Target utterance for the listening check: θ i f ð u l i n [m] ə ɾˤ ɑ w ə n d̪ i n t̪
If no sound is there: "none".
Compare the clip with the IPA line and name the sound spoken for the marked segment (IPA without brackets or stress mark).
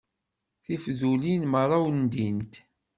m